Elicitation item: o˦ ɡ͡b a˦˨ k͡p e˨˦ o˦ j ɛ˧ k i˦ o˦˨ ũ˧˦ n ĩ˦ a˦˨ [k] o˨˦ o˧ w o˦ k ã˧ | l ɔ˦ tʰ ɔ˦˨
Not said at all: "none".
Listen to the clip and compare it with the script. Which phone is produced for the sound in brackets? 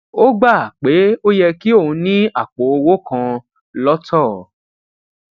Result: k͡p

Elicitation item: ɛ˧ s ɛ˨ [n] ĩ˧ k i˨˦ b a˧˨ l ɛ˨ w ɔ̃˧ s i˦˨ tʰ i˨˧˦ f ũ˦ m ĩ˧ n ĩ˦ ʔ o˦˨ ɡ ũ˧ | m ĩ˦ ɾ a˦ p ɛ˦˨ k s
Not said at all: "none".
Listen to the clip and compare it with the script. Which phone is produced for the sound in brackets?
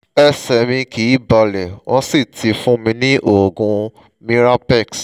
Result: m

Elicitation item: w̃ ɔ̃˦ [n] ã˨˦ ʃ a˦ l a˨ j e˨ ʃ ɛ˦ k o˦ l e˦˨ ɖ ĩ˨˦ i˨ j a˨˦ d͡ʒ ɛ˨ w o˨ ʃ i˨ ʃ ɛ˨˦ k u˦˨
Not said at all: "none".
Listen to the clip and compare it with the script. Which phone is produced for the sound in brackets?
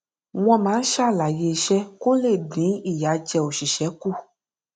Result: m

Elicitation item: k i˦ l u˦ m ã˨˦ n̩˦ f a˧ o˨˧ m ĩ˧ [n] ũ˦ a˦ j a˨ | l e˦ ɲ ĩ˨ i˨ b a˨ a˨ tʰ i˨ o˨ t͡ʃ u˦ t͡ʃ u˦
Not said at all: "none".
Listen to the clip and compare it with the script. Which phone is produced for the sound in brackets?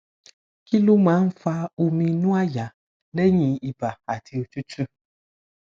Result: n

